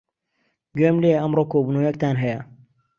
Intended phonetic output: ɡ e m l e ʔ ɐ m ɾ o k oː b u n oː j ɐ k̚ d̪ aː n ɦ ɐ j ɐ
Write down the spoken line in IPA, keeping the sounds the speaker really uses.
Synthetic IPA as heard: ɡ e m l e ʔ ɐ m ɾ o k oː b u n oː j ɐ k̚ t̪ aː n ɦ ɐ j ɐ